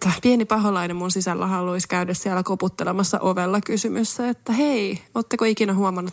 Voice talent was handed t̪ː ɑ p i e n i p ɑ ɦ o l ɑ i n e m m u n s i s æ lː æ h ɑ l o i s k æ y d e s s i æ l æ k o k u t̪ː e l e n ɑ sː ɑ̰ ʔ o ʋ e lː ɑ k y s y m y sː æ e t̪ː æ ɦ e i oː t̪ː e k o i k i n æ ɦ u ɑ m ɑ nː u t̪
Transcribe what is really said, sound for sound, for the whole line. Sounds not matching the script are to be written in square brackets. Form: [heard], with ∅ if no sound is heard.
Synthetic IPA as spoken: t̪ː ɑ p i e n i p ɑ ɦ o l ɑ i n e m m u n s i s æ lː æ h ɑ l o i s k æ y d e s s i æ l æ k o [p] u t̪ː e l e [m] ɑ sː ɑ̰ ʔ o ʋ e lː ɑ k y s y m y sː æ e t̪ː æ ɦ e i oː t̪ː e k o i k i n æ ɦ u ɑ m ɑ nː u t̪